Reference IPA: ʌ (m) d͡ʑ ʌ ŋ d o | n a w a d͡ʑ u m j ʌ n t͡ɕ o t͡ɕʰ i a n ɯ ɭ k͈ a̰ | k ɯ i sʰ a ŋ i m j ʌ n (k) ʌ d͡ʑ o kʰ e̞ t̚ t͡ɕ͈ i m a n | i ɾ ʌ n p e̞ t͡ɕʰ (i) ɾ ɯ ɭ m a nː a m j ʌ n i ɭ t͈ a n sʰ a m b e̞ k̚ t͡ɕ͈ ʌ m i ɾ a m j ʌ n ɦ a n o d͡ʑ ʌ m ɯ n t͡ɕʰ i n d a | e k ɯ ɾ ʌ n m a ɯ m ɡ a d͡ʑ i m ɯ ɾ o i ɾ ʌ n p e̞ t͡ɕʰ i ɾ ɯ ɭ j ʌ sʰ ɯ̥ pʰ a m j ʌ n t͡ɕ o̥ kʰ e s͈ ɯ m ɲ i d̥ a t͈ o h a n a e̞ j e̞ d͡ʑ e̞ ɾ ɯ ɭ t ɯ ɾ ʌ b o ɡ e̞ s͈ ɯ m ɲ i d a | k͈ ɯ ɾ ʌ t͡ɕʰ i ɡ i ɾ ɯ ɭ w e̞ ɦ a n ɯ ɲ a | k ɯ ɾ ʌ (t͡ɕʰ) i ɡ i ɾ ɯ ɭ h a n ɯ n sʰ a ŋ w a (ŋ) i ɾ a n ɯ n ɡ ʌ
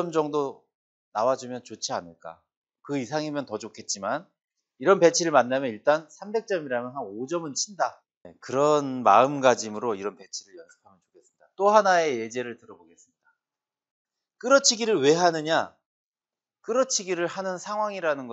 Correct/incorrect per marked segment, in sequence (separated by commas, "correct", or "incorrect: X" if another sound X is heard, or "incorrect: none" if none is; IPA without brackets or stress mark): correct, incorrect: t, correct, correct, correct